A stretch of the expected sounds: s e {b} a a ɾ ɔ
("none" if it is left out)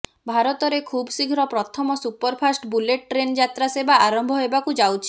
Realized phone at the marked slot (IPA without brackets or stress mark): b